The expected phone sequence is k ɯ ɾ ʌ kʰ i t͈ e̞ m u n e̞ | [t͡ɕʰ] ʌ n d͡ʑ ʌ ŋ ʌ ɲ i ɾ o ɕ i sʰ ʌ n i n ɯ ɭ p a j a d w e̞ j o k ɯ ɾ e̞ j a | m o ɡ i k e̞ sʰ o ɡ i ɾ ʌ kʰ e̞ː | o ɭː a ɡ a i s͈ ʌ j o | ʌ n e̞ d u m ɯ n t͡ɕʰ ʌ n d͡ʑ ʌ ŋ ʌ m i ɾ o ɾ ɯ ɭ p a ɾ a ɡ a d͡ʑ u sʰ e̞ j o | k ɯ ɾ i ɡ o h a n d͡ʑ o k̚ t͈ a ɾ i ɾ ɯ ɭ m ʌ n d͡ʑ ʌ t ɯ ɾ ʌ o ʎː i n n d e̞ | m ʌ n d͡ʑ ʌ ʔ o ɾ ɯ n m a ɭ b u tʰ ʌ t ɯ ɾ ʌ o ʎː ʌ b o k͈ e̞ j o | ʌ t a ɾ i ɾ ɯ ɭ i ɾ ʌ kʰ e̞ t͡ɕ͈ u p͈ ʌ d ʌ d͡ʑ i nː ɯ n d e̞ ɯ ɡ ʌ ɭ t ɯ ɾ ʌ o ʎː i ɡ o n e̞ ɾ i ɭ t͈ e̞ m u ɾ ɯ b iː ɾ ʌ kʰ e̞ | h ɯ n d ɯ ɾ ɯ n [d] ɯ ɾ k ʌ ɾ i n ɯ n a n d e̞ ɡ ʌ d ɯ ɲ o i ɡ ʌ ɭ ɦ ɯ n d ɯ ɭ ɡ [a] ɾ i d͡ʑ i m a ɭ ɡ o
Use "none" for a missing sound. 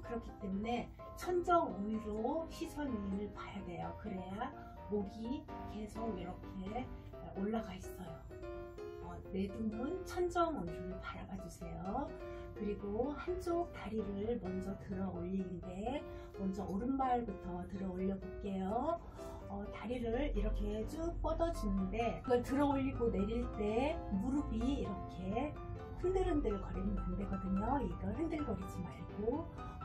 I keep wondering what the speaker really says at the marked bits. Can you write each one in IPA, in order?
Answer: t͡ɕʰ, d, ʌ

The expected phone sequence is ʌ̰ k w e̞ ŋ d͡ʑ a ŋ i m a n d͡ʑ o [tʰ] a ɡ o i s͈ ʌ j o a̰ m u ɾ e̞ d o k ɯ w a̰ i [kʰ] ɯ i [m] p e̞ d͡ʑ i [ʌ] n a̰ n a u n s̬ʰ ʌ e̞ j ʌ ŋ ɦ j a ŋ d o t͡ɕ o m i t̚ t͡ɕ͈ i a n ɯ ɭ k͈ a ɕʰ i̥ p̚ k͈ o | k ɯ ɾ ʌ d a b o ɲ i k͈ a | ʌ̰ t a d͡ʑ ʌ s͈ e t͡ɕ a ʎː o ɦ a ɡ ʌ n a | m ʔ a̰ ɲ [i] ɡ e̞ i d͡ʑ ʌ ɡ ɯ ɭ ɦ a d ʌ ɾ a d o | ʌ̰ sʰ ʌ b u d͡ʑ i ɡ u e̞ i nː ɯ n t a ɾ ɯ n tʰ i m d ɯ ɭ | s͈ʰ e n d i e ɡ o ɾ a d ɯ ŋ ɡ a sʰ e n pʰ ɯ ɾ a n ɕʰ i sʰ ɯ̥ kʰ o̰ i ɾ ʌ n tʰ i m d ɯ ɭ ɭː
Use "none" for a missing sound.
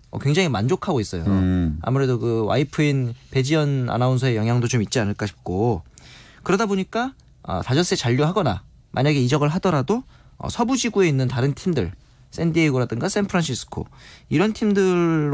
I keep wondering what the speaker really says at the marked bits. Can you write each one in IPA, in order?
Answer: kʰ, pʰ, n, ʌ, a

